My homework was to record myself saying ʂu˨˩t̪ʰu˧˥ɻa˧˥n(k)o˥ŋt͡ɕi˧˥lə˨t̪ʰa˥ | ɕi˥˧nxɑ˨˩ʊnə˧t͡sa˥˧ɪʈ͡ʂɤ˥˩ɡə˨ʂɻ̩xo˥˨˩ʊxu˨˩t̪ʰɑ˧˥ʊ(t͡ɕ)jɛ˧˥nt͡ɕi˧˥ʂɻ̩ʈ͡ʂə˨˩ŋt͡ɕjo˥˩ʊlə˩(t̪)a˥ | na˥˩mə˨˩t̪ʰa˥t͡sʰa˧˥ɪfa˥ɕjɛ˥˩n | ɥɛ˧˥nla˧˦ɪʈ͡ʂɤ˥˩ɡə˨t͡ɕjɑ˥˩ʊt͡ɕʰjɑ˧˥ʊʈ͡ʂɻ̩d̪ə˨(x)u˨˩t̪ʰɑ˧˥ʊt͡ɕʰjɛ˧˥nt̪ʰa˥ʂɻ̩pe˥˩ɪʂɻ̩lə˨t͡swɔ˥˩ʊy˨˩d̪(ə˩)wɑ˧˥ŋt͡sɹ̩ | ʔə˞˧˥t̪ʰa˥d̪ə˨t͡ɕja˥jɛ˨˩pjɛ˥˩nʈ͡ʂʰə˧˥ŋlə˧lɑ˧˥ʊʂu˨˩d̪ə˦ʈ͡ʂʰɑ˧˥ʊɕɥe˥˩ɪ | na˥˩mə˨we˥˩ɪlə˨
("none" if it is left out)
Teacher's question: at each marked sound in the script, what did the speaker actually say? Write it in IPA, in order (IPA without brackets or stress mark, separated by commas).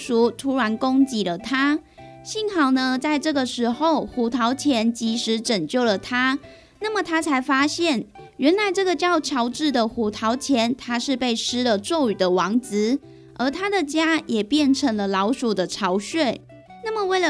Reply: k, t͡ɕʰ, t̪ʰ, x, ə˦